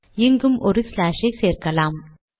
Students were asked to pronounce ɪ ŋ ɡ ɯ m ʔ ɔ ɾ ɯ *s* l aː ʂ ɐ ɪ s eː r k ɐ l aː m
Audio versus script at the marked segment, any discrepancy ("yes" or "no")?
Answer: no